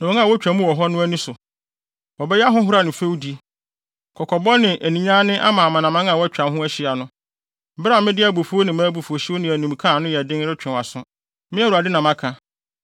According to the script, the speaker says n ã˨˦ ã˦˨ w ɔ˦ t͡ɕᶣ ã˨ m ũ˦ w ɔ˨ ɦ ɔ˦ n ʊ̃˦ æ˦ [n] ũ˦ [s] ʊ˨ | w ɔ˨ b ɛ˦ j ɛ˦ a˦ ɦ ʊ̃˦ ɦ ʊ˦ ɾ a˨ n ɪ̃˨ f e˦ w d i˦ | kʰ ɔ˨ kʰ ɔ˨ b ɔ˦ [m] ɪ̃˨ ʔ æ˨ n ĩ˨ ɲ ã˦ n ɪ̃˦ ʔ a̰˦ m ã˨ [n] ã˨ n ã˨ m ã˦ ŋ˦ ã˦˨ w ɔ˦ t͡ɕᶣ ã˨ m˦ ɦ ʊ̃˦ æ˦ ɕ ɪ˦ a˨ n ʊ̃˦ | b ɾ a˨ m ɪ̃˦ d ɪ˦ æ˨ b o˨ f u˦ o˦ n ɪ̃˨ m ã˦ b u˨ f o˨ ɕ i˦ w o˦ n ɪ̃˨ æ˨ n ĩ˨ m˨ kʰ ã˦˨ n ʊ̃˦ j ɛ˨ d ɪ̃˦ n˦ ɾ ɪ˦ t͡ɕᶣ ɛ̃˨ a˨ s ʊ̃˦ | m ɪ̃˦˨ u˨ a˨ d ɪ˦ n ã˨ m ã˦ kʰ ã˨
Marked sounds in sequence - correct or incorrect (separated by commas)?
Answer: correct, correct, incorrect, incorrect